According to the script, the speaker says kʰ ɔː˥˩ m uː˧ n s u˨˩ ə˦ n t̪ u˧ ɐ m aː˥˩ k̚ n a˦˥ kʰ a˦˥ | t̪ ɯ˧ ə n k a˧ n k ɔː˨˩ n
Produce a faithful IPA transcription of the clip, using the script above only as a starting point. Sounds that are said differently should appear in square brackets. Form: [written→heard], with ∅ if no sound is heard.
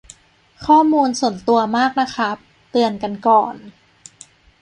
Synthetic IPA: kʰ ɔː˥˩ m uː˧ n s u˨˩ ə˦ n t̪ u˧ ɐ m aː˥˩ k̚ n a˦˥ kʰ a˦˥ | t̪ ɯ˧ ə n k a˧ n k ɔː˨˩ n